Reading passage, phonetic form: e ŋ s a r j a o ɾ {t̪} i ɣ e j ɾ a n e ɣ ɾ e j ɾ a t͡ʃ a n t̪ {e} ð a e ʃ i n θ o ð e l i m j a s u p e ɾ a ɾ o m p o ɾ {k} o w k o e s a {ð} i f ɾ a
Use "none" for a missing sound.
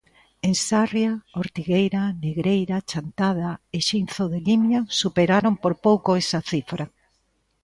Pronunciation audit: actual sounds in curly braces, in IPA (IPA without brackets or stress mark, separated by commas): t̪, a, p, θ